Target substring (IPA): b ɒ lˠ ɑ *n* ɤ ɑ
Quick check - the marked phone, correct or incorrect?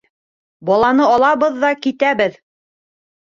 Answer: correct